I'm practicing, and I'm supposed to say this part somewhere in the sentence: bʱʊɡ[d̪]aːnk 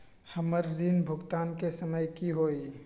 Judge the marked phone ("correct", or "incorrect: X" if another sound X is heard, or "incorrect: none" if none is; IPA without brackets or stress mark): incorrect: t̪